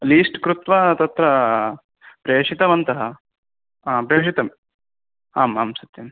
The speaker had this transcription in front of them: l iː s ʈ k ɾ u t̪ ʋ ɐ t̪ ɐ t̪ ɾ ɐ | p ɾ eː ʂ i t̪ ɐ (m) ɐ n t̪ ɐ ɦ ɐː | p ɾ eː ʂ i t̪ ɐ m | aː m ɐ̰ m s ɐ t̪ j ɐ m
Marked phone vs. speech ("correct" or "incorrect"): correct